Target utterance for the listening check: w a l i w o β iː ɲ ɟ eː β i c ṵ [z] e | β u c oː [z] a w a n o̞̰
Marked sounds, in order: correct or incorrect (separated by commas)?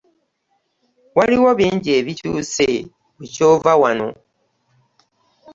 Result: incorrect, incorrect